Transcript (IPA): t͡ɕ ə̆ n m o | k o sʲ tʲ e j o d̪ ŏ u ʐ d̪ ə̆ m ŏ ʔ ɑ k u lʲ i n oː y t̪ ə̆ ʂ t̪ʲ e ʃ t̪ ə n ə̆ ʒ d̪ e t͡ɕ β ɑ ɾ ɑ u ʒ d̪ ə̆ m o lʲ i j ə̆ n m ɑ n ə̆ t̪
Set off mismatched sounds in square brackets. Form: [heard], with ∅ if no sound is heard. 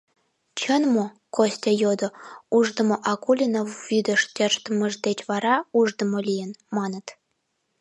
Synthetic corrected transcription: t͡ɕ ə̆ n m o | k o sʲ tʲ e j o d̪ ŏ u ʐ d̪ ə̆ m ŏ ʔ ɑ k u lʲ i n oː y [d̪] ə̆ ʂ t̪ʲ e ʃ t̪ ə [m] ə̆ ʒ d̪ e t͡ɕ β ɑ ɾ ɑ u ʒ d̪ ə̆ m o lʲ i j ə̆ n m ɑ n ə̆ t̪